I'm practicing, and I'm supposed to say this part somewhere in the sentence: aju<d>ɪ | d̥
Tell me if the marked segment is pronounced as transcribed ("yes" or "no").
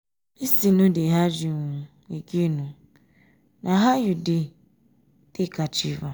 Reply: yes